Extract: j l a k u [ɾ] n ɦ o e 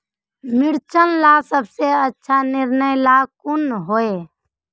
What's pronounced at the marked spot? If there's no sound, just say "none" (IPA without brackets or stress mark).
none